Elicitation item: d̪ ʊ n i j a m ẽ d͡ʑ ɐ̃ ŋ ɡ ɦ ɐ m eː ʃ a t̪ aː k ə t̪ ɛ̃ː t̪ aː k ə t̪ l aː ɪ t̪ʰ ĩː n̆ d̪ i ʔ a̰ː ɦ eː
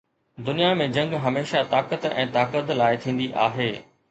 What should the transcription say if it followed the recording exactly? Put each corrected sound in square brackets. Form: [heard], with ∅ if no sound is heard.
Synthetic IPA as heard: d̪ ʊ n i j a m ẽ d͡ʑ ɐ̃ ŋ ɡ ɦ ɐ m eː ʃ a t̪ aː k ə t̪ ɛ̃ː t̪ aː k ə t̪ l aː ɪ t̪ʰ ĩː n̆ d̪ i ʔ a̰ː ɦ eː